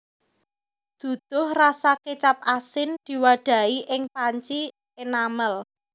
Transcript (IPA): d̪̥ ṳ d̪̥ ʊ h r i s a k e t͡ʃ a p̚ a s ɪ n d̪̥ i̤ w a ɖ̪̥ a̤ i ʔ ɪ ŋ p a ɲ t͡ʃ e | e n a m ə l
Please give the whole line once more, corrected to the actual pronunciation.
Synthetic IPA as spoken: d̪̥ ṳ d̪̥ ʊ h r a s a k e t͡ʃ a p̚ a s ɪ n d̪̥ i̤ w a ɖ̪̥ a̤ i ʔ ɪ ŋ p a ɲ t͡ʃ i | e n a m ə l